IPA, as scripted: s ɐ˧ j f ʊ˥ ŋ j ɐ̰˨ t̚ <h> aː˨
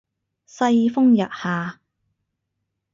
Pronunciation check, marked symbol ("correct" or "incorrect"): correct